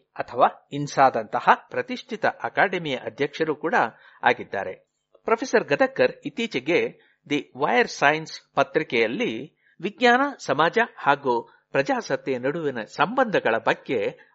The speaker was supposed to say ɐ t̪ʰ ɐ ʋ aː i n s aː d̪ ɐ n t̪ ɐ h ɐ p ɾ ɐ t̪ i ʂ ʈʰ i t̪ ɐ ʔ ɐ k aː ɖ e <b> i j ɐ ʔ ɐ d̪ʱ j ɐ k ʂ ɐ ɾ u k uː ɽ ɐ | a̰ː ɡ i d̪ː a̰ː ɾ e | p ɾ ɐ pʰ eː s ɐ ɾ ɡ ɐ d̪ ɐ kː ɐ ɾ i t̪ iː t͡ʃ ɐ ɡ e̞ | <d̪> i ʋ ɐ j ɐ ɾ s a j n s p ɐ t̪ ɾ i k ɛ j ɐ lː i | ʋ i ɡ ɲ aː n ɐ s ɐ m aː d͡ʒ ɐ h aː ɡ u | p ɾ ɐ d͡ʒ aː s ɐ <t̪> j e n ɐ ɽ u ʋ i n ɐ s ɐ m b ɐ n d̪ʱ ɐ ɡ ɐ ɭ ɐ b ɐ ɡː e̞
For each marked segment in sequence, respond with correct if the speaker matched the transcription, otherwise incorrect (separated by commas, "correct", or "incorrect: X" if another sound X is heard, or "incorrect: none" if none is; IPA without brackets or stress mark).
incorrect: m, correct, correct